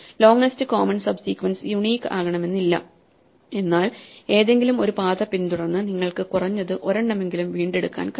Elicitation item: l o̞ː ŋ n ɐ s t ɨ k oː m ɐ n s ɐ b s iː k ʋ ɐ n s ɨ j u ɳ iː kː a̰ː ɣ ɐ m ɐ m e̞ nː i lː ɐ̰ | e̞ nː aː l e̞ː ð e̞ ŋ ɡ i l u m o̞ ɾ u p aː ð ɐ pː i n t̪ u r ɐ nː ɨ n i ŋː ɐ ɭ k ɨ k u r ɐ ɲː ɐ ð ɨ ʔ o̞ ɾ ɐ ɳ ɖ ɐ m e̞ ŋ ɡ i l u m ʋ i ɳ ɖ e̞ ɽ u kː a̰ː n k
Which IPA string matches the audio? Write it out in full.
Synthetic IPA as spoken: l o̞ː ŋ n ɐ s t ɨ k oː m ɐ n s ɐ b s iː k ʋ ɐ n s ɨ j u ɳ iː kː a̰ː ɣ ɐ ɳ ɐ m e̞ nː i lː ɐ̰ | e̞ nː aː l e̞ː ð e̞ ŋ ɡ i l u m o̞ ɾ u p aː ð ɐ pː i n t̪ u ɽ ɐ nː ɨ n i ŋː ɐ ɭ k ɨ k u r ɐ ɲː ɐ ð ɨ ʔ o̞ ɾ ɐ ɳ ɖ ɐ m e̞ ŋ ɡ i l u m ʋ iː ɳ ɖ e̞ ɽ u kː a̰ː n k